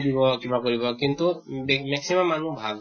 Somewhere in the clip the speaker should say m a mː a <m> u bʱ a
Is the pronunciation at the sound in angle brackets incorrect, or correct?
incorrect